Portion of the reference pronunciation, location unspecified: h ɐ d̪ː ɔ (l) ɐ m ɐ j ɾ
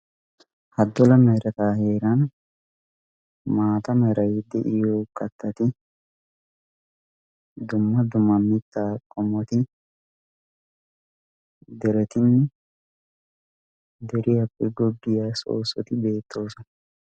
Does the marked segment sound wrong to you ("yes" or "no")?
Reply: no